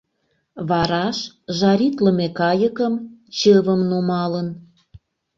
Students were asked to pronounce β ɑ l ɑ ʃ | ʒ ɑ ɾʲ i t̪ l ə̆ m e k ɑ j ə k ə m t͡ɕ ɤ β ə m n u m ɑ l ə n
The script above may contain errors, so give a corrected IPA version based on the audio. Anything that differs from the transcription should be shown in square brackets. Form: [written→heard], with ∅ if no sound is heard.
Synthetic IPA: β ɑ [l→ɾ] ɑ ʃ | ʒ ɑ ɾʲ i t̪ l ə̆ m e k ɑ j ə k ə m t͡ɕ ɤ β ə m n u m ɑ l ə n